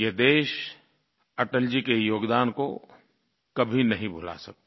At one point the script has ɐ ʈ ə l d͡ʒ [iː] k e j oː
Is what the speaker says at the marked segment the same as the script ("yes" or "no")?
no